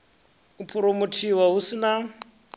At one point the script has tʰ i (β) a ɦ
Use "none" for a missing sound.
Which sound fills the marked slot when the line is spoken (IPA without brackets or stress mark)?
w